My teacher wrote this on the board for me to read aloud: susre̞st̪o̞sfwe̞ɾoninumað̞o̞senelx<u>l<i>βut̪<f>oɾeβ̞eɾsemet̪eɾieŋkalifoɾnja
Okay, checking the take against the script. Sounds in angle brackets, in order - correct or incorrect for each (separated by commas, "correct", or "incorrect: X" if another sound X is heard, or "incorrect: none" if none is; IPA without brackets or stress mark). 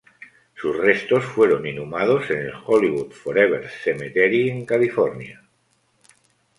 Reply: incorrect: o, correct, correct